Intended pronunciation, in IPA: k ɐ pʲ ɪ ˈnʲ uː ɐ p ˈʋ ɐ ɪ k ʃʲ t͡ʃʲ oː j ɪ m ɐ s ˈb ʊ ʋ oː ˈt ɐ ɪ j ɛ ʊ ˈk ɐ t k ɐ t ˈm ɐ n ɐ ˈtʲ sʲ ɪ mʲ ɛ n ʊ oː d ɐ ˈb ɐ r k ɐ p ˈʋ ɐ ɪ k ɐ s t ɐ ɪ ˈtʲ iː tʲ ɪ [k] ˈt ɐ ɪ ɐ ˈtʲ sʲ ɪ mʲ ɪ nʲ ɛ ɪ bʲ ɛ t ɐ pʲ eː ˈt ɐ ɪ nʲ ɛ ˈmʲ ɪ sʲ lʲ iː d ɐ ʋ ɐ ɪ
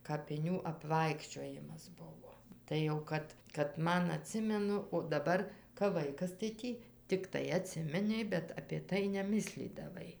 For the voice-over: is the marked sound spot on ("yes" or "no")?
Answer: yes